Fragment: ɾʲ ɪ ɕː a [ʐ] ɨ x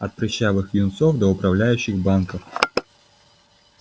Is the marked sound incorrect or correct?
incorrect